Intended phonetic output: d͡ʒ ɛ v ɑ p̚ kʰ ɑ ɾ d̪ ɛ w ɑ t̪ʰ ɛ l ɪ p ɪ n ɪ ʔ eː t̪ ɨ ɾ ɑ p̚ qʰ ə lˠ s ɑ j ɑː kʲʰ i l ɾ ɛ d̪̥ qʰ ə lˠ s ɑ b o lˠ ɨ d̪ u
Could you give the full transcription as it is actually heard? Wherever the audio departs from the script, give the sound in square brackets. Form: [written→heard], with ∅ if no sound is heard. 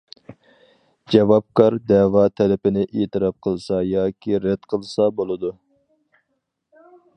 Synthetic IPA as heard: d͡ʒ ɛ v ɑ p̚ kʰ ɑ ɾ d̪ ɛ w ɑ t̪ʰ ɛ l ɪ p ɪ n ɪ ʔ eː t̪ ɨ ɾ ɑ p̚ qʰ ə lˠ s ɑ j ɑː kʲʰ i [l→∅] ɾ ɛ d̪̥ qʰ ə lˠ s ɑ b o lˠ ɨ d̪ u